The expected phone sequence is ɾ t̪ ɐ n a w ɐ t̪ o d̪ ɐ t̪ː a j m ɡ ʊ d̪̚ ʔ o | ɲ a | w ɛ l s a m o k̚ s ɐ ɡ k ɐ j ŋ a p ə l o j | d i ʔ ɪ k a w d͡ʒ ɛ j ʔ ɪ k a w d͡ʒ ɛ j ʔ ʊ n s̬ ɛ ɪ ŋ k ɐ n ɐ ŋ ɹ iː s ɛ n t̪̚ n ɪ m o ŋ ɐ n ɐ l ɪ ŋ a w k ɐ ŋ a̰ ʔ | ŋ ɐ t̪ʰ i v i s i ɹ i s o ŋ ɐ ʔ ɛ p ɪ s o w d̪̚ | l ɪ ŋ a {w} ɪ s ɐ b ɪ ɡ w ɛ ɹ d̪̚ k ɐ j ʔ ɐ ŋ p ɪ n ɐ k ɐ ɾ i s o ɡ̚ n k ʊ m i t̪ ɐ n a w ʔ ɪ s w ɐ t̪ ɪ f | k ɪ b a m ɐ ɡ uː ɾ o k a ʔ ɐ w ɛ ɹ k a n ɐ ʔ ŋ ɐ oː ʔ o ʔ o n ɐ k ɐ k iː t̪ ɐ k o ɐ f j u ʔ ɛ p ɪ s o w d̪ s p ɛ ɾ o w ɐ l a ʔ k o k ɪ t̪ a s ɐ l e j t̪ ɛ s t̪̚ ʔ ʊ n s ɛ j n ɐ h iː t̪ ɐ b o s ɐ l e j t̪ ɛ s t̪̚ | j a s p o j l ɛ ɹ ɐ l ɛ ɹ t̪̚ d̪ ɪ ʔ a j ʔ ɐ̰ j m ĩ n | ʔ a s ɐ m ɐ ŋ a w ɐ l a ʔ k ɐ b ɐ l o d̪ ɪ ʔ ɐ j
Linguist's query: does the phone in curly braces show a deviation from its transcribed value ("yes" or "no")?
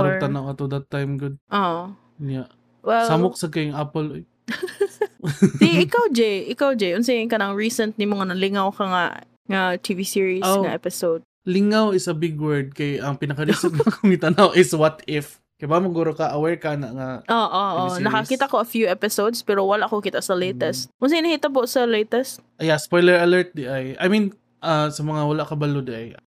no